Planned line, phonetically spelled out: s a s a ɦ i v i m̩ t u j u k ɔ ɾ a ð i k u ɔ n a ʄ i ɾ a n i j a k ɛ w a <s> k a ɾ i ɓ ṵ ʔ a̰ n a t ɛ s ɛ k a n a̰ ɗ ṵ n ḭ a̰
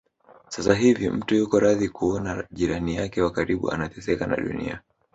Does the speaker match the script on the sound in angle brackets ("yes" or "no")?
no